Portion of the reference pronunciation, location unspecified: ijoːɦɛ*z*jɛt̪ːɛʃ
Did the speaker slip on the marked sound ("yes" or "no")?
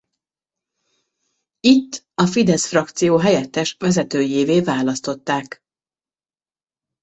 yes